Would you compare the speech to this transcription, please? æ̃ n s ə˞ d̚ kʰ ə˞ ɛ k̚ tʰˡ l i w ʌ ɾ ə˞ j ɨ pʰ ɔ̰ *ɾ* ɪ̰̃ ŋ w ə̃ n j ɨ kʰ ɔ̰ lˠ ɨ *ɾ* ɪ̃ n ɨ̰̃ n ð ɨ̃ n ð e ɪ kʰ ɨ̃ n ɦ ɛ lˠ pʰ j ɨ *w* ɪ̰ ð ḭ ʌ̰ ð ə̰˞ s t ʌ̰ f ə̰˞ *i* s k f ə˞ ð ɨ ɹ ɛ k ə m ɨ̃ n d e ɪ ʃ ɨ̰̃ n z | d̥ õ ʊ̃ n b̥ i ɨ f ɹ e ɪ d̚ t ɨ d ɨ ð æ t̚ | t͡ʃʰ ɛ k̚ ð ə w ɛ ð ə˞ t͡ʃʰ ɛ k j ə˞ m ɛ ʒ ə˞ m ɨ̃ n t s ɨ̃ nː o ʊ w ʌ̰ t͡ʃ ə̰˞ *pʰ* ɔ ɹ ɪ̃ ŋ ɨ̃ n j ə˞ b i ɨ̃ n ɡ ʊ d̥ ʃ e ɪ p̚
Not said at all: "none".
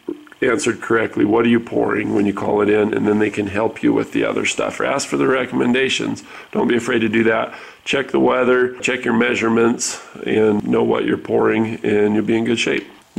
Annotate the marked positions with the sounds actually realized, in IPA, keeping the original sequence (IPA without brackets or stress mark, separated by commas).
ɹ, ɾ, w, æ, pʰ